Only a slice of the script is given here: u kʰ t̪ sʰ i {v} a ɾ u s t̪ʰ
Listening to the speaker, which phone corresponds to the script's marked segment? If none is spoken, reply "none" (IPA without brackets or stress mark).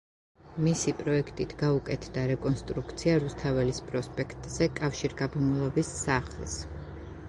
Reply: none